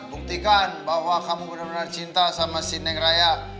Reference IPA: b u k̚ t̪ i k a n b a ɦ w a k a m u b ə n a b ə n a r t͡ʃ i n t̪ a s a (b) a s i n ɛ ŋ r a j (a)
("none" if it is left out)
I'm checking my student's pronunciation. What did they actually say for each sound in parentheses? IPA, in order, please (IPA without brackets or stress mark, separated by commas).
m, a